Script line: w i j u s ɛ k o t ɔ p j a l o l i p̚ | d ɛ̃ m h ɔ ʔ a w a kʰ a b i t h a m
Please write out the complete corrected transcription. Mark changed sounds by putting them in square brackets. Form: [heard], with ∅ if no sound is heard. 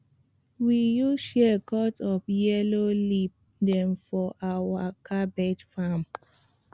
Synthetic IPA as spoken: w i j u [ʃ] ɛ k [ɔ] t ɔ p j [ɛ] l o l i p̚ | d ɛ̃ m [f] ɔ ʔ a w a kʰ a b [ɛ] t [f] a m